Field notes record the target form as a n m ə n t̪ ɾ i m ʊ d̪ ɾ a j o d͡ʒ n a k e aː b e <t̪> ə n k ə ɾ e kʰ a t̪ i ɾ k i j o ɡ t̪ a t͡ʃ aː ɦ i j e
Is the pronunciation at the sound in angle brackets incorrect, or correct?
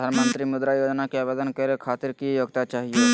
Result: incorrect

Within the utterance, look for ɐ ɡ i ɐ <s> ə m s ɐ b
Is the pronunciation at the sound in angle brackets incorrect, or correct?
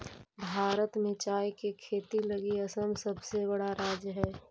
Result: correct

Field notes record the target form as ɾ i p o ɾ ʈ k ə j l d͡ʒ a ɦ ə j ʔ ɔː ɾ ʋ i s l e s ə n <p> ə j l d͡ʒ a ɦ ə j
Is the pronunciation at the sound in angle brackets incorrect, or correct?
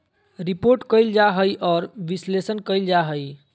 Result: incorrect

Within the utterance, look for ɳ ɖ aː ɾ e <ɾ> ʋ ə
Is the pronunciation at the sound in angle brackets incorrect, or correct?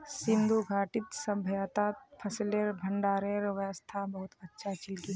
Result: correct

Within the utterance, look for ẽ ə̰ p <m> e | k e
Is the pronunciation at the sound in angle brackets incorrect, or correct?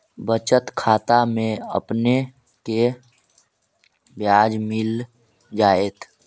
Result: incorrect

